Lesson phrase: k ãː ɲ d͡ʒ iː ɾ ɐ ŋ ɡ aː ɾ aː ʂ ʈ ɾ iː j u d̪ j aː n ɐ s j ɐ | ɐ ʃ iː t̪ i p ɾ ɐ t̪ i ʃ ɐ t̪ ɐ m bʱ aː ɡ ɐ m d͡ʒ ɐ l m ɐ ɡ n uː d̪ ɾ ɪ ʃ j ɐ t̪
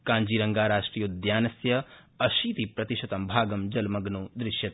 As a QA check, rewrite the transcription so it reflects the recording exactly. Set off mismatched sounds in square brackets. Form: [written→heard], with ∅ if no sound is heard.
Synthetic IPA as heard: k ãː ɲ d͡ʒ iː ɾ ɐ ŋ ɡ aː ɾ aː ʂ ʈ ɾ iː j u d̪ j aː n ɐ s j ɐ | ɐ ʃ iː t̪ i p ɾ ɐ t̪ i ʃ ɐ t̪ ɐ m bʱ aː ɡ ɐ m d͡ʒ ɐ l m ɐ ɡ n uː d̪ ɾ ɪ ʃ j ɐ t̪